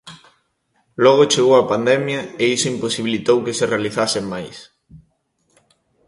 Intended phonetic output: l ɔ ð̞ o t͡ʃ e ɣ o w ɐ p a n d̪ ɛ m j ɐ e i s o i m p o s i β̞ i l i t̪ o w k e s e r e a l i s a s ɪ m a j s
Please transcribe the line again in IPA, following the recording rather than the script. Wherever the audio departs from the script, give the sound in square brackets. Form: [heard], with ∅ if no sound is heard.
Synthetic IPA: l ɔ [ɣ̞] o t͡ʃ e ɣ o w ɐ p a n d̪ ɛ m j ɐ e i s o i m p o s i β̞ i l i t̪ o w k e s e r e a l i [θ] a s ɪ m a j s